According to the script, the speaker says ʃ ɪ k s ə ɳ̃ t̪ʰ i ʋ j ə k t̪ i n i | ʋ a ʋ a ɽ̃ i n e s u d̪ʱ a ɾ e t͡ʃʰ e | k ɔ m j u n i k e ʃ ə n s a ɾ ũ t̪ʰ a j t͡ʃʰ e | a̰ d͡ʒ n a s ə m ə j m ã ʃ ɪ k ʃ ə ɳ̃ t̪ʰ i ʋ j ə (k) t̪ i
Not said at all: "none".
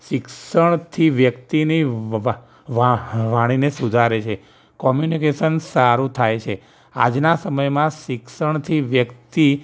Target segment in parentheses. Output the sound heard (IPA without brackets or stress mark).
k